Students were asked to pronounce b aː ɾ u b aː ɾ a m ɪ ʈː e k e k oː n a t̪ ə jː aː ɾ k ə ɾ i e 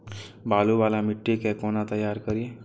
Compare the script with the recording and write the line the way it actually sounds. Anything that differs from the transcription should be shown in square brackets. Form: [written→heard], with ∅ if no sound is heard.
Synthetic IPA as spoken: b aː [ɾ→l] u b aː [ɾ→l] a m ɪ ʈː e k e k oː n a t̪ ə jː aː ɾ k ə ɾ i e